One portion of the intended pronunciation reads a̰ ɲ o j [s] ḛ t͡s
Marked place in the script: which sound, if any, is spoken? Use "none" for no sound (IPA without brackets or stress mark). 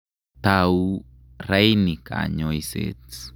s